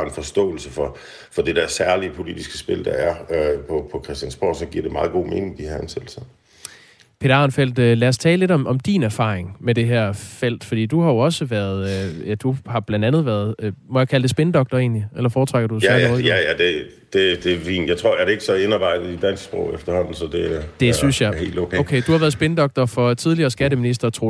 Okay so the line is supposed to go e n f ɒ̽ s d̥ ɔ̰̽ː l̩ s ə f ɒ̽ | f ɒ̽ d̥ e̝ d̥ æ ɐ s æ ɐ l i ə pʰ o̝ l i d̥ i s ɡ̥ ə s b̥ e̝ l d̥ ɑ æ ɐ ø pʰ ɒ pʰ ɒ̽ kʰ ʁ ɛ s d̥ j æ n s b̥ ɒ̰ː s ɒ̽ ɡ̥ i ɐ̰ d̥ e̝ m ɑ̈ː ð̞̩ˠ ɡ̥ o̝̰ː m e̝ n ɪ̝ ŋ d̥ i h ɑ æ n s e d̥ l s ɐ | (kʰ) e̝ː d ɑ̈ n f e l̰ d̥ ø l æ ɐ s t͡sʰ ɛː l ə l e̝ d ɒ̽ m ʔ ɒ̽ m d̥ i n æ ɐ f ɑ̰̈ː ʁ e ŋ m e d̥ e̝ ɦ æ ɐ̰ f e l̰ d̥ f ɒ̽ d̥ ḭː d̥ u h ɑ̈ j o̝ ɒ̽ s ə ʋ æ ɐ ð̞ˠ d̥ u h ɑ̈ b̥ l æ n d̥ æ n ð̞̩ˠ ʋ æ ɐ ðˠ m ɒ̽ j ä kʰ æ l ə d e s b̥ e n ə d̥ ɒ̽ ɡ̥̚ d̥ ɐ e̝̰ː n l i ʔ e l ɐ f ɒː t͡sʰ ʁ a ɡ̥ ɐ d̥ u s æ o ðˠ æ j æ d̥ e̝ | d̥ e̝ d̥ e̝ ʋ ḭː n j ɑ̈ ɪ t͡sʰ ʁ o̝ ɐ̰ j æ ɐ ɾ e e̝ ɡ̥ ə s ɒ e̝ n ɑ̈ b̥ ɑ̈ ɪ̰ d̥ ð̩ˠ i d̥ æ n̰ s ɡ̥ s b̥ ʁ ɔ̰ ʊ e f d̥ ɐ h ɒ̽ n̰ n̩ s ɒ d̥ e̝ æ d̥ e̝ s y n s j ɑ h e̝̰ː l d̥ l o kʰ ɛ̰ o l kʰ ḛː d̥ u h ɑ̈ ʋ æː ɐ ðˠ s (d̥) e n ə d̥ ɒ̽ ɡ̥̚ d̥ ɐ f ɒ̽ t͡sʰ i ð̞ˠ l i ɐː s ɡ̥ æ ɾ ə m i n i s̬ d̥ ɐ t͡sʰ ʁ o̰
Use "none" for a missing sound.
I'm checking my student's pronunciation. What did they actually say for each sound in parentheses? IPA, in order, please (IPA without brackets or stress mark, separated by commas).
pʰ, b̥